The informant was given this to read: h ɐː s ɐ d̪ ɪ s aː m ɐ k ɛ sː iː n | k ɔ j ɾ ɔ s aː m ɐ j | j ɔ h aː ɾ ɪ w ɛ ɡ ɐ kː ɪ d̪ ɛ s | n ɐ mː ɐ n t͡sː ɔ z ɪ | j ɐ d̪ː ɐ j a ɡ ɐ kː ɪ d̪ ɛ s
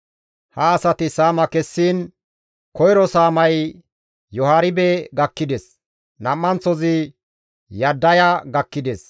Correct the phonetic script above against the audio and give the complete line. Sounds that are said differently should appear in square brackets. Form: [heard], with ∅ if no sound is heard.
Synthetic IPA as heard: h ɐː s ɐ [t̪] ɪ s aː m ɐ k ɛ sː iː n | k ɔ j ɾ ɔ s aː m ɐ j | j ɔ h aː ɾ ɪ [b] ɛ ɡ ɐ kː ɪ d̪ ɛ s | n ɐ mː ɐ n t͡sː ɔ z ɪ | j ɐ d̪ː ɐ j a ɡ ɐ kː ɪ d̪ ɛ s